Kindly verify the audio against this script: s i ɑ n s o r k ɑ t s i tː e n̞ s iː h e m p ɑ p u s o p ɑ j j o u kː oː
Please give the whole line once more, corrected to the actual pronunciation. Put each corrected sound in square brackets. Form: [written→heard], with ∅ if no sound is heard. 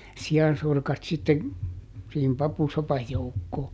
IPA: s i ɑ n s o r k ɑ t s i tː e n̞ s iː h [e→i] m p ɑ p u s o p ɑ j j o u kː oː